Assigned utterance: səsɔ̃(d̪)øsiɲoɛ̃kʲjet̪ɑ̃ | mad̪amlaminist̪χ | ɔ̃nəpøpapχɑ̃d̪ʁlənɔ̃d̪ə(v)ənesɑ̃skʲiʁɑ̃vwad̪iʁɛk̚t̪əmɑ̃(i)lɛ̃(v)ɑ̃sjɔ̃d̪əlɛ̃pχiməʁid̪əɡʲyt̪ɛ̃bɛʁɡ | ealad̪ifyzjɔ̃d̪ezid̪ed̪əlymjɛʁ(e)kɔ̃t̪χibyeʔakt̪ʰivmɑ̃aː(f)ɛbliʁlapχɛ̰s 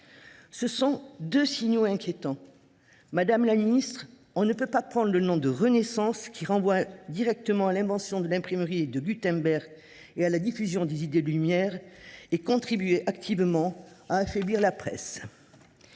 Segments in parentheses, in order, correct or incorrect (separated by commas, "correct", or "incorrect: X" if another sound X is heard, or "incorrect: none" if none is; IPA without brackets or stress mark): correct, incorrect: ʁ, incorrect: a, correct, correct, correct